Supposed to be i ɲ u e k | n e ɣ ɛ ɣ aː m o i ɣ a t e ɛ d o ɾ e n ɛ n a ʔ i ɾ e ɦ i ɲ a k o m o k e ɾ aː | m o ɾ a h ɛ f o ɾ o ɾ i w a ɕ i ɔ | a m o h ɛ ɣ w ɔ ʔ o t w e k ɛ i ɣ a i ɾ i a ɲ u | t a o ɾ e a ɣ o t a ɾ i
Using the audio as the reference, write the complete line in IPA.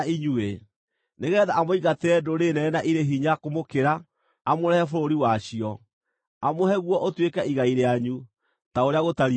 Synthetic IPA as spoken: i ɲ u e | n e ɣ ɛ ð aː m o i ɣ a t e ɛ d o ɾ e n ɛ n a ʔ i ɾ e ɦ i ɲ a k o m o k e ɾ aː | m o ɾ ɛ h ɛ f o ɾ o ɾ i w a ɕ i ɔ | a m o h ɛ ɣ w ɔ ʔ o t w e k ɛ i ɣ a i ɾ e a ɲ u | t a o ɾ e a ɣ o t a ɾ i